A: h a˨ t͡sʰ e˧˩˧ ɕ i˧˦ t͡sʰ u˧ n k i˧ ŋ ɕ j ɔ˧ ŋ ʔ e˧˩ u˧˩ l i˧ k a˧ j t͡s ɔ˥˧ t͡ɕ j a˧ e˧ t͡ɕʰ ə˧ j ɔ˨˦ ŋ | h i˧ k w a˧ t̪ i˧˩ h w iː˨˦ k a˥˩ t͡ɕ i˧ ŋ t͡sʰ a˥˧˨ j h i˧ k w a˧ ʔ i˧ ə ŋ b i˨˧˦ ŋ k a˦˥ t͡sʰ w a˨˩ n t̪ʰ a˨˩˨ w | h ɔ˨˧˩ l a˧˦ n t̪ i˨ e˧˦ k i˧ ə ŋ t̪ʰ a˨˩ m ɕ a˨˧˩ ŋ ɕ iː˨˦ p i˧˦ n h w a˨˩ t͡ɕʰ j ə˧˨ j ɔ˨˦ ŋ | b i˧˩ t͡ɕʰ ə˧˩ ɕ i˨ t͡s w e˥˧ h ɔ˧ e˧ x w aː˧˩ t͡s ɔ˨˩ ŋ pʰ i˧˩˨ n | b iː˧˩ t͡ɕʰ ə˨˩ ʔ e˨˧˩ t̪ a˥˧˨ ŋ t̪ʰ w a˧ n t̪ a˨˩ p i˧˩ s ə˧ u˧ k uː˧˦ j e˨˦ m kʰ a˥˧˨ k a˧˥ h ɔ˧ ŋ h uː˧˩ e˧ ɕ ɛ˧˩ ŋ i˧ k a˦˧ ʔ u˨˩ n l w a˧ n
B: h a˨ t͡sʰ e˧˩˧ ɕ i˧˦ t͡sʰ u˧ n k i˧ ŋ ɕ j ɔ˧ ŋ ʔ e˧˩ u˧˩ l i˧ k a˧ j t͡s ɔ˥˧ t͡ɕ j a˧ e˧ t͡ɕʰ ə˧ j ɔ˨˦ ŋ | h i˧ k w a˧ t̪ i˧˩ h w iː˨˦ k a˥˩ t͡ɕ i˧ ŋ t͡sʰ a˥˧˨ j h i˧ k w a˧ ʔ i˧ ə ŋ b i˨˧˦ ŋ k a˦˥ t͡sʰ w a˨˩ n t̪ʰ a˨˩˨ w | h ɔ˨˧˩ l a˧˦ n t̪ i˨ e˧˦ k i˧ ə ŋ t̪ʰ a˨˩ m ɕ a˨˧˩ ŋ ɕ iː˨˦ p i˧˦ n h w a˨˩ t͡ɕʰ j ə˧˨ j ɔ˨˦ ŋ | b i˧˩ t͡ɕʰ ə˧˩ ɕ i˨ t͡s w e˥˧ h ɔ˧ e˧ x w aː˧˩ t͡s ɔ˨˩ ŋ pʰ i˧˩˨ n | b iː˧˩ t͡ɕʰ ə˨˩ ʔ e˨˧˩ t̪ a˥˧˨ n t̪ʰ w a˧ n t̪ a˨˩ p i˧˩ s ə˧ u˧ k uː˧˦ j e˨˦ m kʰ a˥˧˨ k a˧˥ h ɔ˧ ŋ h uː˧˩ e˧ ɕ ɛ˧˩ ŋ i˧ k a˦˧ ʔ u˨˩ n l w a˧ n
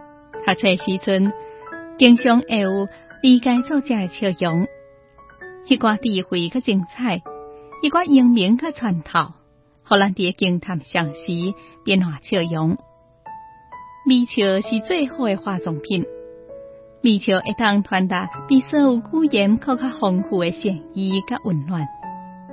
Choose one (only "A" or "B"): A